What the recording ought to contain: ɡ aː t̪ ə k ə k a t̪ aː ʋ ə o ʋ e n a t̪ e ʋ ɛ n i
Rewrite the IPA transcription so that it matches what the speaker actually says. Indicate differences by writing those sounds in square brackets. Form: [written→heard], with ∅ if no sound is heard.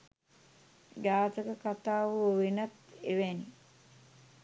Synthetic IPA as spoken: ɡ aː t̪ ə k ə k a t̪ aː ʋ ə o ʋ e n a t̪ e ʋ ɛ n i

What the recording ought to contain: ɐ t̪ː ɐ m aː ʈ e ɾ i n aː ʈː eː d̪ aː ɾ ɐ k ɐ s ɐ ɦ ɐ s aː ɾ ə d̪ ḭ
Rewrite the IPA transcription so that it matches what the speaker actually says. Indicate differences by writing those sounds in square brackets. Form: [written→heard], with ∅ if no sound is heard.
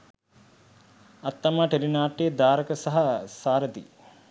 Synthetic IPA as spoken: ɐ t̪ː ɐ m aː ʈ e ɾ i n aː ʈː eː d̪ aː ɾ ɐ k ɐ s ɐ ɦ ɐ s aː ɾ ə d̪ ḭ

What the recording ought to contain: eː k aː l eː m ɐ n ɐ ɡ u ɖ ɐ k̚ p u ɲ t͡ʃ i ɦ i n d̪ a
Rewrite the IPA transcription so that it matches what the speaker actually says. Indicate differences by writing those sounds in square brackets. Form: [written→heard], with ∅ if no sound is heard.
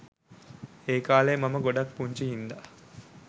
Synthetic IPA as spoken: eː k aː l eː m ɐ [n→m] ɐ ɡ [u→o] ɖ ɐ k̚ p u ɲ t͡ʃ i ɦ i n d̪ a

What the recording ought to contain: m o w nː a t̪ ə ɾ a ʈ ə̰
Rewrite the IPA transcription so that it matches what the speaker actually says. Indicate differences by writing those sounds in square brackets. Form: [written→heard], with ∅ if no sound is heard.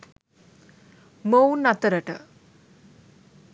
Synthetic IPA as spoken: m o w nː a t̪ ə ɾ [a→ə] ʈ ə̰

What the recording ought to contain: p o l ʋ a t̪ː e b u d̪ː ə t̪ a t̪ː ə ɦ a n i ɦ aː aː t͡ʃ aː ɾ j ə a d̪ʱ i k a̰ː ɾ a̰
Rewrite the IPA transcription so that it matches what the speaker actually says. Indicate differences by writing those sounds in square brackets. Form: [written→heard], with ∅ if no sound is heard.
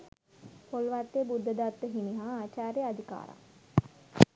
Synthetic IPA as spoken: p o l ʋ a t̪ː e b u d̪ː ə [t̪→d̪] a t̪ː ə ɦ [a→i] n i ɦ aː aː t͡ʃ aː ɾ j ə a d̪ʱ i k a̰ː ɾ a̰

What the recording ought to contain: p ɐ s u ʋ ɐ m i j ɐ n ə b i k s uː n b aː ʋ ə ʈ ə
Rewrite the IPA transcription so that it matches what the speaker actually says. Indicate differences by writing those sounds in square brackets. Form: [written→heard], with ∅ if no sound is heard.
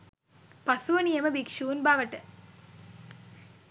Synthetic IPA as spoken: p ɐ s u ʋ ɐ [m→n] i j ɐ [n→m] ə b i k [s→ʂ] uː n b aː ʋ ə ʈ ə

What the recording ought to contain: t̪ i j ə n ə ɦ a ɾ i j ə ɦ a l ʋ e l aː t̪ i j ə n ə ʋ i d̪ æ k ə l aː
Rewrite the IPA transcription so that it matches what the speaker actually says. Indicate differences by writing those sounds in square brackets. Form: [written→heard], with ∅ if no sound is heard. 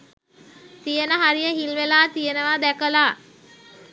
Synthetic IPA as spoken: t̪ i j ə n ə ɦ a ɾ i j ə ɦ [a→i] l ʋ e l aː t̪ i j ə n ə ʋ [i→a] d̪ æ k ə l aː

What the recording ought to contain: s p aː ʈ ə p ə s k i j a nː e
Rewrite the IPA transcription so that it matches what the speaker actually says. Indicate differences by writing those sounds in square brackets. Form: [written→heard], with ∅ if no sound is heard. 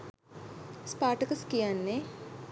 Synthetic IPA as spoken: s p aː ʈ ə [p→k] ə s k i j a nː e

